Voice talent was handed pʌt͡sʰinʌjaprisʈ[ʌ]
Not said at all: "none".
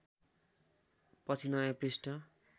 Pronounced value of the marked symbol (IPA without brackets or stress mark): ʌ